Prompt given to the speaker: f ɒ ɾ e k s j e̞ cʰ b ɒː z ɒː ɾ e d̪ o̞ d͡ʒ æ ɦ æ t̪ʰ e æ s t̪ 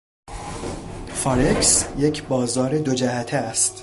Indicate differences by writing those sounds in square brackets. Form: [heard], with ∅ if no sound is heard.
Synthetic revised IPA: f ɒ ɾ e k s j e̞ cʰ b ɒː z ɒː ɾ e d̪ o̞ d͡ʒ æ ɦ æ t̪ʰ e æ s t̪